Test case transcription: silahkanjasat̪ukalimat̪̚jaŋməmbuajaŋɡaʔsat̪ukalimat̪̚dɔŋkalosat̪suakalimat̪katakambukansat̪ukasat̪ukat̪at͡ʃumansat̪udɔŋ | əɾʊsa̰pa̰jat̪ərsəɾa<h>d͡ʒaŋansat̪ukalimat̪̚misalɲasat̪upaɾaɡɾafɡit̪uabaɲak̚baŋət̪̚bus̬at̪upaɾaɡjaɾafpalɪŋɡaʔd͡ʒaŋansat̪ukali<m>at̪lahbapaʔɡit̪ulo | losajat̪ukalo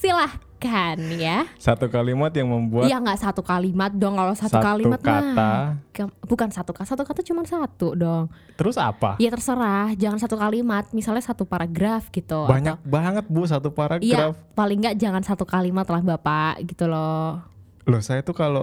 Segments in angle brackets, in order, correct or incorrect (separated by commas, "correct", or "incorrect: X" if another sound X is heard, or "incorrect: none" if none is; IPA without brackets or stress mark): correct, correct